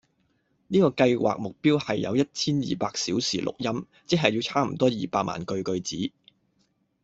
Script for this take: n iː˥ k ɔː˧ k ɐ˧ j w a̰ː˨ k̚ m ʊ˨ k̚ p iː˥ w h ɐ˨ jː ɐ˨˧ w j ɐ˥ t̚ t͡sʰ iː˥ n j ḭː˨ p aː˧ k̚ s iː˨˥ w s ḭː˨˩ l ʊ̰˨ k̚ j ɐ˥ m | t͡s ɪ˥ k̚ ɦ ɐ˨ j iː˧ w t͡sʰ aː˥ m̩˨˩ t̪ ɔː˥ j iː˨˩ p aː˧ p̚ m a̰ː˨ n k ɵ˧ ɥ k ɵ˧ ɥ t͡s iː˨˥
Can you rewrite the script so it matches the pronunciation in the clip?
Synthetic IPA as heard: n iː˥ k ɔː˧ k ɐ˧ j w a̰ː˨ k̚ m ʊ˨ k̚ p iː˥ w h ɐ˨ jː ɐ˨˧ w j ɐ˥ t̚ t͡sʰ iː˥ n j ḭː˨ p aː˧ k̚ s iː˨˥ w s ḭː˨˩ l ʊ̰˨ k̚ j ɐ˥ m | t͡s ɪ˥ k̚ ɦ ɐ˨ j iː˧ w t͡sʰ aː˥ m̩˨˩ t̪ ɔː˥ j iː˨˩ p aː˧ k̚ m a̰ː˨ n k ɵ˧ ɥ k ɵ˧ ɥ t͡s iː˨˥